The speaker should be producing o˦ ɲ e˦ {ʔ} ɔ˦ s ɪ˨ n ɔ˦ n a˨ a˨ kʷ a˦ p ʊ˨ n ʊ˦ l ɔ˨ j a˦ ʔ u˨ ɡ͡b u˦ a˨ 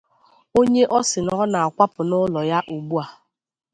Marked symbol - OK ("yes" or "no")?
yes